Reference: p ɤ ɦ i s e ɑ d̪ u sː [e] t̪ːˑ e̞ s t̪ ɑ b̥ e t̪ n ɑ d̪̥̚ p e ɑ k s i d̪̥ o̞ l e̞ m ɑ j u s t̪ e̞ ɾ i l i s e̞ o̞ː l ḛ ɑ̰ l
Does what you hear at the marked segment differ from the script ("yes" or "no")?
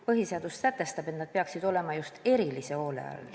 yes